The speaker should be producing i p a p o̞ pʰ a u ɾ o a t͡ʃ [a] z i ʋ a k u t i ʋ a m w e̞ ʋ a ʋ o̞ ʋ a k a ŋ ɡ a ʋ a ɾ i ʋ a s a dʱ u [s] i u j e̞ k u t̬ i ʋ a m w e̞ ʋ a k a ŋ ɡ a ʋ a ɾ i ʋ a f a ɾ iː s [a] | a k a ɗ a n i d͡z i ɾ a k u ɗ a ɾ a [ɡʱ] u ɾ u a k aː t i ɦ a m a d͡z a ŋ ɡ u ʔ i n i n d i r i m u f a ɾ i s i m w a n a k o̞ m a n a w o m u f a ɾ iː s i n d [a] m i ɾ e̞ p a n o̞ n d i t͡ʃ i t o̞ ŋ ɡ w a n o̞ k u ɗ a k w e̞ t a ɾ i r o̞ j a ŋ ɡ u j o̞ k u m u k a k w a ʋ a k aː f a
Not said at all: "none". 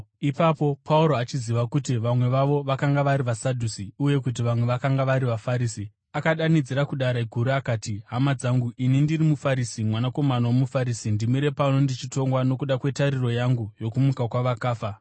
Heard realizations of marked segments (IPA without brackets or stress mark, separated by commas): i, s, i, ɡʱ, i